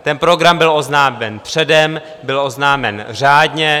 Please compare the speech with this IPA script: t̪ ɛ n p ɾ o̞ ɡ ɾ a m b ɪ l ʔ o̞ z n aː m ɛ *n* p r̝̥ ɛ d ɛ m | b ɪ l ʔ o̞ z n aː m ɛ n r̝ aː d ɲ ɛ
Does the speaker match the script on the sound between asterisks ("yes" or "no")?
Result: yes